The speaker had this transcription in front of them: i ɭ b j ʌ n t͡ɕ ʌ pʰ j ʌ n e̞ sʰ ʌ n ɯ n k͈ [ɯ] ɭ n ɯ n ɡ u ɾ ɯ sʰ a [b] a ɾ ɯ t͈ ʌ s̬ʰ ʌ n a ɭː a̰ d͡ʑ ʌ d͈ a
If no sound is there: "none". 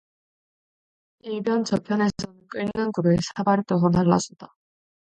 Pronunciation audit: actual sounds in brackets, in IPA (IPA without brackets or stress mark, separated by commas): ɯ, b